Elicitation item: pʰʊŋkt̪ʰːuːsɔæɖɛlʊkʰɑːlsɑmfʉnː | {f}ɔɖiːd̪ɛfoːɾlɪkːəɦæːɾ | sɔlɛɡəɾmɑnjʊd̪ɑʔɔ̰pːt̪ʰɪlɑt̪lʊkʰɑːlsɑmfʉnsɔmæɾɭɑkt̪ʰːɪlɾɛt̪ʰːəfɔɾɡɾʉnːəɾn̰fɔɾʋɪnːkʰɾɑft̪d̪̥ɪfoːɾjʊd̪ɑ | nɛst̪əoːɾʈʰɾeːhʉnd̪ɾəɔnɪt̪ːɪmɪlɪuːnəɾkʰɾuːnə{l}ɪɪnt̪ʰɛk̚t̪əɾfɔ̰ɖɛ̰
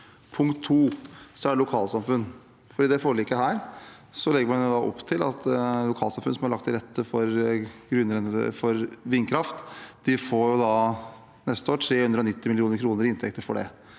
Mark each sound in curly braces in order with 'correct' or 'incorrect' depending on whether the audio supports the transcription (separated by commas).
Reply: correct, incorrect